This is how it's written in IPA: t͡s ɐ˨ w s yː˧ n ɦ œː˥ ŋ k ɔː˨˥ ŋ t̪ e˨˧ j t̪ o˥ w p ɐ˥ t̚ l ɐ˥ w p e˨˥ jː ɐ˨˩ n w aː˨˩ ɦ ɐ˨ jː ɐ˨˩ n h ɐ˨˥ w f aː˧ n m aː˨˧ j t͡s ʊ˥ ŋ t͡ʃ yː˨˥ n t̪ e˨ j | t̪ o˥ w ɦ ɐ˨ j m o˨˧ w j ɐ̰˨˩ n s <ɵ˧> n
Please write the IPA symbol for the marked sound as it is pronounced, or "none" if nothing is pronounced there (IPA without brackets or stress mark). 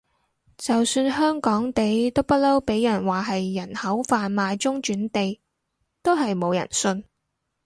ɵ˧